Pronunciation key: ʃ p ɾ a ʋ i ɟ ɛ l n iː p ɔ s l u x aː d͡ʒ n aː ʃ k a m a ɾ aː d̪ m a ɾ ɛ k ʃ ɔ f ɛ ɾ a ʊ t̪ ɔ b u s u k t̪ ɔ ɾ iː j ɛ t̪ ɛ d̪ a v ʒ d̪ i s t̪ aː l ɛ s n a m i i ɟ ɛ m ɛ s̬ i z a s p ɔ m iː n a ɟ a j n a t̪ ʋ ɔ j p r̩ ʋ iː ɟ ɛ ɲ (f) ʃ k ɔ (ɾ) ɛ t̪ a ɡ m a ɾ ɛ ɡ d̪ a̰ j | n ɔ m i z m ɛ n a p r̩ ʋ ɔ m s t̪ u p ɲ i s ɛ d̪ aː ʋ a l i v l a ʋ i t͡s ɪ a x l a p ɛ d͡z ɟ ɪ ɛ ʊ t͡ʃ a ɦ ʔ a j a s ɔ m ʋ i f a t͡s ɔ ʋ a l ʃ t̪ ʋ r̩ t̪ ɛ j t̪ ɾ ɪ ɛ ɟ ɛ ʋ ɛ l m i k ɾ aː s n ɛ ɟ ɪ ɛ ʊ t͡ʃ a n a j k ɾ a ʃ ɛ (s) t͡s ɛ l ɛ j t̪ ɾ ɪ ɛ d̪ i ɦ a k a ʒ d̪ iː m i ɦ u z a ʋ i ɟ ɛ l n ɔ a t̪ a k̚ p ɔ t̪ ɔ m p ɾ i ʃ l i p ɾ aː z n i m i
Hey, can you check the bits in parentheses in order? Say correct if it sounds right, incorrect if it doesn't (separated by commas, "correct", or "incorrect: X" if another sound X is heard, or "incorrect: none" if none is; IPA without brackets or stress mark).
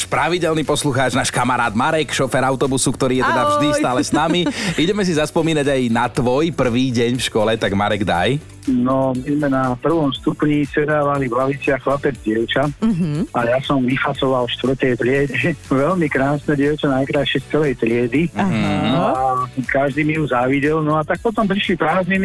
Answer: correct, incorrect: l, correct